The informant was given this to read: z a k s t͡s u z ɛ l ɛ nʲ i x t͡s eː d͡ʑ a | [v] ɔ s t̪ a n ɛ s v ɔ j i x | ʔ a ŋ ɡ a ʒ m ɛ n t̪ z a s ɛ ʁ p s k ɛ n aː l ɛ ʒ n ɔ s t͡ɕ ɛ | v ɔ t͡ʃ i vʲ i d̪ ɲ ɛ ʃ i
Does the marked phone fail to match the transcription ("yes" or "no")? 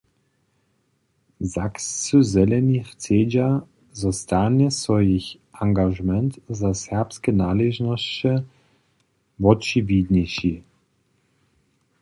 yes